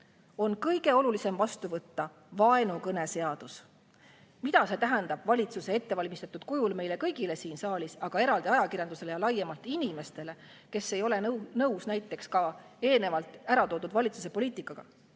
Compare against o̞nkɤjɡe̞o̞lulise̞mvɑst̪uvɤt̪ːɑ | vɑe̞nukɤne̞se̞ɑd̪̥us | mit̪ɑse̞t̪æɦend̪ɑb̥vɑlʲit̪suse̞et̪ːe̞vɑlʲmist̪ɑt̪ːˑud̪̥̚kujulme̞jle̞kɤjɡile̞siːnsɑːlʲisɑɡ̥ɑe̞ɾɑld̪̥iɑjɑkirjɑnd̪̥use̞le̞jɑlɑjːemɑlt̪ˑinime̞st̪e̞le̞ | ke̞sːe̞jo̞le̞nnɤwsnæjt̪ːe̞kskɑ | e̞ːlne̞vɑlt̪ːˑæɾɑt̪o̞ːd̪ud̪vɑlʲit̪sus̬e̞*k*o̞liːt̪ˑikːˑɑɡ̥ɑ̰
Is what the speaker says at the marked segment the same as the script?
no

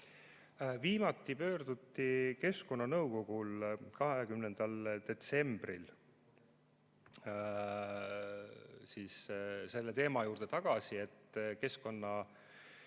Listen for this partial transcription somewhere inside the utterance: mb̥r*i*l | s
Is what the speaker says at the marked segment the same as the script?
yes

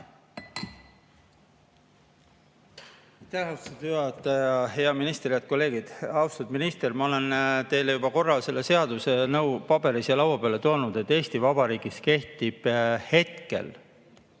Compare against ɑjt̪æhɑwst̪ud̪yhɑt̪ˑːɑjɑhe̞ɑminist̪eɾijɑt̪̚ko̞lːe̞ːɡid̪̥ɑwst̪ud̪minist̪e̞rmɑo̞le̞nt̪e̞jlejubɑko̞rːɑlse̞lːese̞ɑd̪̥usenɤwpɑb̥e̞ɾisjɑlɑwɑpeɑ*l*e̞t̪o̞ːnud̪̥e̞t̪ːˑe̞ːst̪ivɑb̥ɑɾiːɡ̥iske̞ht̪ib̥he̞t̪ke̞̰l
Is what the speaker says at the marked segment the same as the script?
yes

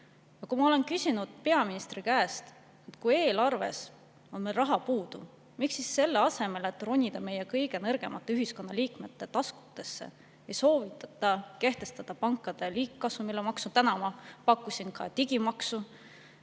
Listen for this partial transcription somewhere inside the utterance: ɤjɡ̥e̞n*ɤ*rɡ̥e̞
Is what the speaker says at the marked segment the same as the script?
yes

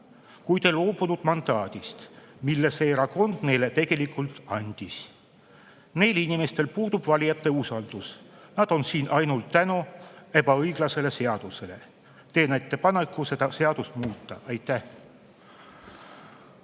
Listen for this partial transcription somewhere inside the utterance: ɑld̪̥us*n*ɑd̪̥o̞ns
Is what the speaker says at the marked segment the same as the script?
yes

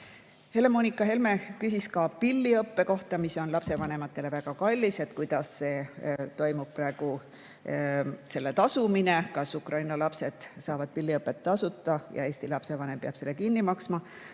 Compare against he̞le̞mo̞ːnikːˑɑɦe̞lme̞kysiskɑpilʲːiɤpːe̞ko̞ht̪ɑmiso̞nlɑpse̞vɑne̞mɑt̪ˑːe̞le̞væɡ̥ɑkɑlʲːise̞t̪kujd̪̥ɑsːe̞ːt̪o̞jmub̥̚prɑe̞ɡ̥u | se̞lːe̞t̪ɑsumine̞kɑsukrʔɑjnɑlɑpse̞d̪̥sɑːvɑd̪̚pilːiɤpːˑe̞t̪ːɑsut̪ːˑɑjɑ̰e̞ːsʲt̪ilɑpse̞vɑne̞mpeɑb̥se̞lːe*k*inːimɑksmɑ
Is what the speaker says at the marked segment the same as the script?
yes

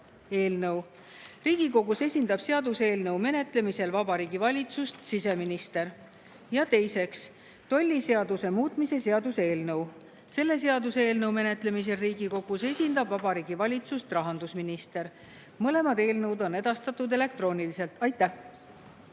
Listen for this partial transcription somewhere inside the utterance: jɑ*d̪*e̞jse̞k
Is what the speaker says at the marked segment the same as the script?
no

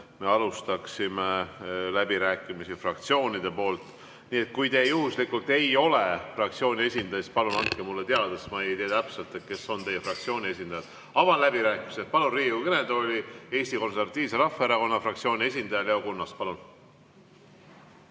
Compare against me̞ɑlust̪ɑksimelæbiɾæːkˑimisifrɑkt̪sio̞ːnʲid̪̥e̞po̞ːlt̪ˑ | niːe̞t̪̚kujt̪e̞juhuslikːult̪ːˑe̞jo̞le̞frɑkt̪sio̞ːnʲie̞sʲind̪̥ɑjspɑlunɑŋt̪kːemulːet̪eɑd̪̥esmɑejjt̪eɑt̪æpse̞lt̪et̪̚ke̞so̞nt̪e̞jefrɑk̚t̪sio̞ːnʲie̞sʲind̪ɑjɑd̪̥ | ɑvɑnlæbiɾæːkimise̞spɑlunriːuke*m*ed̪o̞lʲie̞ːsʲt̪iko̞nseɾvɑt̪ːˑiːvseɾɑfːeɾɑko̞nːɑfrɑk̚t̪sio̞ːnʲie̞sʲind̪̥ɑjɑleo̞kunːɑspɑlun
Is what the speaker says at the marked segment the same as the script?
no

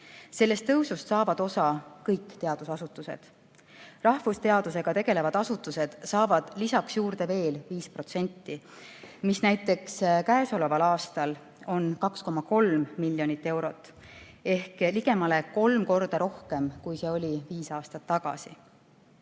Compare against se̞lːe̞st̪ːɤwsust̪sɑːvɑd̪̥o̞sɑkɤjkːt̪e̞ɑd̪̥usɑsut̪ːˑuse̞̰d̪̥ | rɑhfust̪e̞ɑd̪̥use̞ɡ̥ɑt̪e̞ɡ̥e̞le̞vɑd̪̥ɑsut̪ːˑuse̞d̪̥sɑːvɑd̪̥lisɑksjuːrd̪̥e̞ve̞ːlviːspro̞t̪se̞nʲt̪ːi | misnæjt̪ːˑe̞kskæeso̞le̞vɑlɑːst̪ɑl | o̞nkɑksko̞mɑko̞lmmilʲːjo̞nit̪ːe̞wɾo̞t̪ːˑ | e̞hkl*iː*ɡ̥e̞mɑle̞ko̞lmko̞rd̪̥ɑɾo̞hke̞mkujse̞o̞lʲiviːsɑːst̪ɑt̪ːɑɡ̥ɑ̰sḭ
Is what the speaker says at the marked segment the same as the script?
no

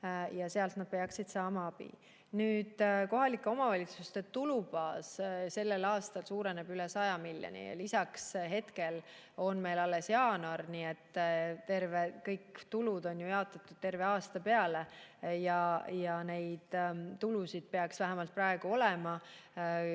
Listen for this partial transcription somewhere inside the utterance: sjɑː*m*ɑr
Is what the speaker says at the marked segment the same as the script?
no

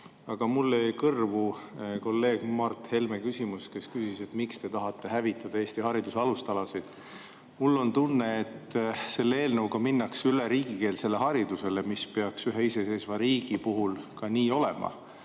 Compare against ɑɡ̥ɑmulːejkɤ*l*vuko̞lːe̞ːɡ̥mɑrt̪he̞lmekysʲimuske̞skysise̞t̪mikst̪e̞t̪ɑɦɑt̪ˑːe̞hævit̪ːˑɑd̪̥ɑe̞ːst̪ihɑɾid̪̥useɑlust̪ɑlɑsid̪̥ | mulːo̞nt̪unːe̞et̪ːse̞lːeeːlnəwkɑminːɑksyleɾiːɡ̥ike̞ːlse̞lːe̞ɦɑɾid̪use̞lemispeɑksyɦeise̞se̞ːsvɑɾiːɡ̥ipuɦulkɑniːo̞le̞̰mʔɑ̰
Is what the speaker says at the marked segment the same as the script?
no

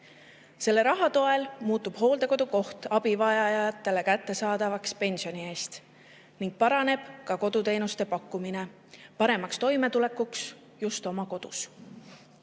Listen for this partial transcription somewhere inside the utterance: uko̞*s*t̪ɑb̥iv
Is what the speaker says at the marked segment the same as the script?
no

